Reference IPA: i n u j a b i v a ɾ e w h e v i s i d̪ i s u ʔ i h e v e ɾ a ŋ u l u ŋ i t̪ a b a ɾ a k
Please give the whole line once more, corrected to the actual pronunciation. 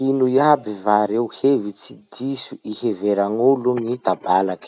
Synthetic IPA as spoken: i n u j a b i v a ɾ e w h e v i t͡s i d̪ i s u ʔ i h e v e ɾ a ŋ u l u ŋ i t̪ a b a l a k